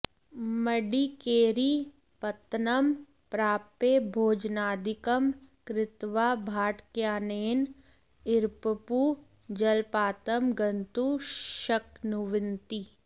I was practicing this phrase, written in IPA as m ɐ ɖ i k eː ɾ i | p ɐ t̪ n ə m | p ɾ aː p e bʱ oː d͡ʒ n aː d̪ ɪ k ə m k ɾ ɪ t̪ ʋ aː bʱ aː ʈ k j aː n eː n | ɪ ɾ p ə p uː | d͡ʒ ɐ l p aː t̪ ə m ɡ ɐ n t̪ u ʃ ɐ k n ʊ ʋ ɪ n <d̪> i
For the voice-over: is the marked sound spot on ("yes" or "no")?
no